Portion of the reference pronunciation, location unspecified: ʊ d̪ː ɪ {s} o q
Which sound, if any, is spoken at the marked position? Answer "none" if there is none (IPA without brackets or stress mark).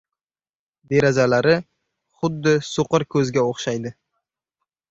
s